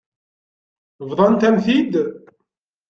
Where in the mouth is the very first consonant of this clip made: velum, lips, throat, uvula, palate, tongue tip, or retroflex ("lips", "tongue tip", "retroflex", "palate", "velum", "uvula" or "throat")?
lips